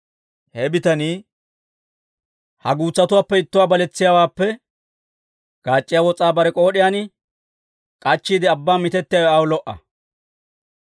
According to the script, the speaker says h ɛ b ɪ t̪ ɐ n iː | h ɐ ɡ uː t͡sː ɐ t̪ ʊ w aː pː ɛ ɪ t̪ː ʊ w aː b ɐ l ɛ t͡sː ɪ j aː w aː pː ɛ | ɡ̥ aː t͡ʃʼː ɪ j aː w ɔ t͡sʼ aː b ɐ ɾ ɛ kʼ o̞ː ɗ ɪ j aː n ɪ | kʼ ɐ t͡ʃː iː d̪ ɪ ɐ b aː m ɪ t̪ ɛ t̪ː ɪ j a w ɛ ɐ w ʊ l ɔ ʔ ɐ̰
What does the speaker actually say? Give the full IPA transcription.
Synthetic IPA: h ɛ b ɪ t̪ ɐ n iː | h ɐ ɡ uː t͡sː ɐ t̪ ʊ w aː pː ɛ ɪ t̪ː ʊ w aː b ɐ l ɛ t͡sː ɪ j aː w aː pː ɛ | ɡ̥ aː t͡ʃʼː ɪ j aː w ɔ t͡sʼ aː b ɐ ɾ ɛ kʼ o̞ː ɗ ɪ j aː n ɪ | kʼ ɐ t͡ʃː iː d̪ ɪ ɐ bː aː m ɪ t̪ ɛ t̪ː ɪ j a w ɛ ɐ w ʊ l ɔ ʔ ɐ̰